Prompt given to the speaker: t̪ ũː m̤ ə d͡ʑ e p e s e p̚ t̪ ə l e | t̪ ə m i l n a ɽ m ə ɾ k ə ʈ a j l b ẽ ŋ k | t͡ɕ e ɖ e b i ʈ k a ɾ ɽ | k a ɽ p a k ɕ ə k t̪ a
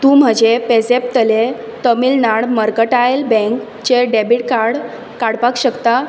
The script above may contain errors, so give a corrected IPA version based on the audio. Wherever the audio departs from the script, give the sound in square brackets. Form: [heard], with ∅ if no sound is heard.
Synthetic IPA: t̪ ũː m̤ ə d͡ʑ e p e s e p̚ t̪ ə l e | t̪ ə m i l n a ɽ m ə ɾ k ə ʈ a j l b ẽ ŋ k | t͡ɕ e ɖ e b i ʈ k a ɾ ɽ | k a ɽ p a k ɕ ə k t̪ a

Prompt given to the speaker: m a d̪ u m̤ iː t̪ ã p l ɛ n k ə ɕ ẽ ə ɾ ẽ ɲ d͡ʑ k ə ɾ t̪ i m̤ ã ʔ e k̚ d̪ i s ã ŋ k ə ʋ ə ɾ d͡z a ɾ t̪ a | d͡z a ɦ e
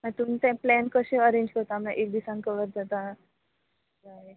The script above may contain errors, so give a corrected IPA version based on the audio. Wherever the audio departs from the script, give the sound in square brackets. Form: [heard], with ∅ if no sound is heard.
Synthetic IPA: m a [t̪] u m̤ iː t̪ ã p l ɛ n k ə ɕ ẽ ə ɾ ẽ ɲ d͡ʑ k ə ɾ t̪ [a] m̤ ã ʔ e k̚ d̪ i s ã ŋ k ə ʋ ə ɾ d͡z a [∅] t̪ a | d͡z a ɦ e

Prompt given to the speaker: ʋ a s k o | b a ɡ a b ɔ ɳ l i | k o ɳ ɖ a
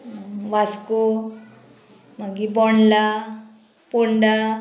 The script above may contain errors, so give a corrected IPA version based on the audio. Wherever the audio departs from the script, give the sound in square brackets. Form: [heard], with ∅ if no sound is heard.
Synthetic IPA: ʋ a s k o | [m] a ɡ [i] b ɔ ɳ l [a] | [p] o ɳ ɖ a

